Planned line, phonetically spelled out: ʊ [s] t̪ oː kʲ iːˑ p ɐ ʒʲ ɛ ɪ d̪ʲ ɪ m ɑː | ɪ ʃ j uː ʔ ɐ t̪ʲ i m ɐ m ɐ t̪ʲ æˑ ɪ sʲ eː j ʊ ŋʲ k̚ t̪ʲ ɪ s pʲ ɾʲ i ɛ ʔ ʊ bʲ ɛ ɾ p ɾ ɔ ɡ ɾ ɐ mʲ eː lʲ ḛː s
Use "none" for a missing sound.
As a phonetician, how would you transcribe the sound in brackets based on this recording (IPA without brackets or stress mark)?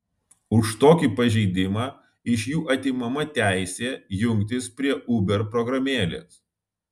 ʃ